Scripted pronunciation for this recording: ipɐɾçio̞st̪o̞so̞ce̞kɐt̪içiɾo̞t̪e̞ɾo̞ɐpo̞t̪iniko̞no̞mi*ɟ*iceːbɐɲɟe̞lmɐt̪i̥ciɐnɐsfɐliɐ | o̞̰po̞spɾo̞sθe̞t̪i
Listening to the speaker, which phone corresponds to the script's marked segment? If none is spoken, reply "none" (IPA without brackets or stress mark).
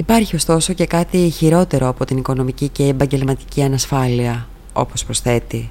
c